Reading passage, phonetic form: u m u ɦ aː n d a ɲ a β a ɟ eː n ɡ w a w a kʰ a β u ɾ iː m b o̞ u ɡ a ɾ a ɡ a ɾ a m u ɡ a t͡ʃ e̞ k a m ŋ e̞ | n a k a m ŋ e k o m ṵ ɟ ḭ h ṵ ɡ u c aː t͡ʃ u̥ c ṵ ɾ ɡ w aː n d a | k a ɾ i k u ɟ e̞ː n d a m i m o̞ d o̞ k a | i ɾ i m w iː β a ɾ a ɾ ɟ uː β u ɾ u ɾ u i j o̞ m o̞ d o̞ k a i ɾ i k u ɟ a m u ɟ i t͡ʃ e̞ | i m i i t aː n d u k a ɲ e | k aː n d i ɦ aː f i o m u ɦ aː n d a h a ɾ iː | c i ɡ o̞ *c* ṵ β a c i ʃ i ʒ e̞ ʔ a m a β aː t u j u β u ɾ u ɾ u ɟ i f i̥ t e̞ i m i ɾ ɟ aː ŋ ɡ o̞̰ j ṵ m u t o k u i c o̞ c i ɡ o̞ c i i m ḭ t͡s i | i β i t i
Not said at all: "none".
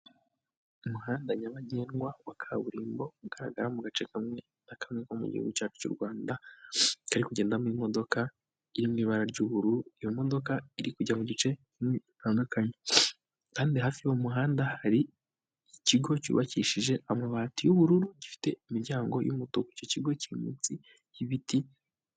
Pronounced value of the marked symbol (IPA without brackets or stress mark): c